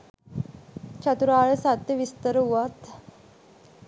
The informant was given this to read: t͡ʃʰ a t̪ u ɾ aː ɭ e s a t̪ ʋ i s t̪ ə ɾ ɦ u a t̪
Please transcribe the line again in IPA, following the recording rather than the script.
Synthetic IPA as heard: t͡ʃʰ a t̪ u ɾ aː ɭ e s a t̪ ʋ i s t̪ ə ɾ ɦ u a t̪